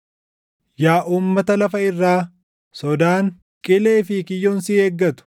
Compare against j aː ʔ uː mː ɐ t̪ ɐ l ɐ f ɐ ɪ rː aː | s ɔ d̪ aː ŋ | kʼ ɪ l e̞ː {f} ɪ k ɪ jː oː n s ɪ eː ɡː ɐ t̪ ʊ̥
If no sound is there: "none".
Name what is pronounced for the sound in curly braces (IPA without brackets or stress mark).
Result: f